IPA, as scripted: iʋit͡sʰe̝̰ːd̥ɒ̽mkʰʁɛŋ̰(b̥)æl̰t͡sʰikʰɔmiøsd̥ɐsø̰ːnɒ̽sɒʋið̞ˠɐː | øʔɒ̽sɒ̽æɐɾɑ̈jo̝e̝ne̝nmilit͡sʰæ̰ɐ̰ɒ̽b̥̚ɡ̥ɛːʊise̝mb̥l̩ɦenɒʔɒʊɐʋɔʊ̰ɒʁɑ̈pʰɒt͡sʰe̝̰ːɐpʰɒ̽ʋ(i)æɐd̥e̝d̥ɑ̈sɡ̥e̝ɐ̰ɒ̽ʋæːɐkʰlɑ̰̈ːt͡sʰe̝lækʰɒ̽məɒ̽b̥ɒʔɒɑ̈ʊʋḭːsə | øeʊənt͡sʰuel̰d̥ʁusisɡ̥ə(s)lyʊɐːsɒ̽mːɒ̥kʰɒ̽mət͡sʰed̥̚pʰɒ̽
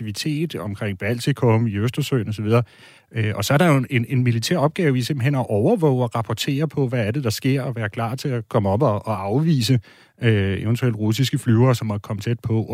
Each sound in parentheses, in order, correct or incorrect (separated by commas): correct, incorrect, incorrect